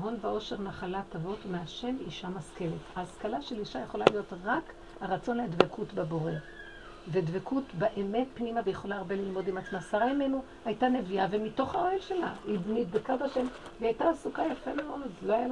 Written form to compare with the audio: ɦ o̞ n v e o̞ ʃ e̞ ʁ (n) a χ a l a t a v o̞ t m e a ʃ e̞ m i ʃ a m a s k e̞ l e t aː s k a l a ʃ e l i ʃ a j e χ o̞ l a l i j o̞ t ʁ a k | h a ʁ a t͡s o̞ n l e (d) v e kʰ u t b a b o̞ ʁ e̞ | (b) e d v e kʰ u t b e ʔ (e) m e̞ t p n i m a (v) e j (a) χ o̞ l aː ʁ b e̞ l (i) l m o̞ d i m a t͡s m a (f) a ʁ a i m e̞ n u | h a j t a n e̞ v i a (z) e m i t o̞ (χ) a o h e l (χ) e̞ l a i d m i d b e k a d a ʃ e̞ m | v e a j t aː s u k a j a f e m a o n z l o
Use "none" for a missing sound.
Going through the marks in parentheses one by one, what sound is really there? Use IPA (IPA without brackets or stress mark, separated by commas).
n, d, v, e, v, e, i, s, v, χ, ʃ